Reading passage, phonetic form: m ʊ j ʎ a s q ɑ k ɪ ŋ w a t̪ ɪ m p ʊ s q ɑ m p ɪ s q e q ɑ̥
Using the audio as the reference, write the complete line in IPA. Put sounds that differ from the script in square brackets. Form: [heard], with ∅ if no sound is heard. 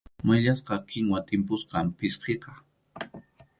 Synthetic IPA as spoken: m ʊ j ʎ a s q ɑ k ɪ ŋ w a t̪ ɪ m p ʊ s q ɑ m p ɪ s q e q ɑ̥